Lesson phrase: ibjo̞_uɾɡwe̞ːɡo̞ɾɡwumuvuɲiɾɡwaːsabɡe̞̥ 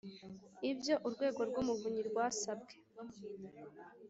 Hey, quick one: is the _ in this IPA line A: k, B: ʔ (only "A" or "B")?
B